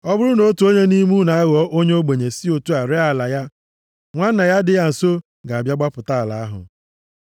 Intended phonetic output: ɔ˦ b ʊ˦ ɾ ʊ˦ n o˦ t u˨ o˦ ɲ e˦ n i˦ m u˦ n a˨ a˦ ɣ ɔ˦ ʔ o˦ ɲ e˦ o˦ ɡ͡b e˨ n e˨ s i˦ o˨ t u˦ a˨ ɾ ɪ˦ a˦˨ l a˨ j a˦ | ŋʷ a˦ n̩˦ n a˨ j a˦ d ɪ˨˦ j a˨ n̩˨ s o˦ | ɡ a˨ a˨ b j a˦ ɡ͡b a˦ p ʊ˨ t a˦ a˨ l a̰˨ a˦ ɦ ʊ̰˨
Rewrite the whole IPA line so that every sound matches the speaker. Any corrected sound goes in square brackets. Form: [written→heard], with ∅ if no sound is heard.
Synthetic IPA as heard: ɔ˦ b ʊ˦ ɾ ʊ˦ n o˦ t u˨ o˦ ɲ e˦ n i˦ m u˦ n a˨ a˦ ɣ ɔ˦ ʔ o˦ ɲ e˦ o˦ ɡ͡b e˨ [n→ɲ] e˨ s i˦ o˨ t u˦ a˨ ɾ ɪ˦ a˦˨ l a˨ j a˦ | ŋʷ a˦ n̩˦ n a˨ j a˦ d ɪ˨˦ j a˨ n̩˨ s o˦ | ɡ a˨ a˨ b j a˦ ɡ͡b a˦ p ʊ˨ t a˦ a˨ l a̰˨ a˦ ɦ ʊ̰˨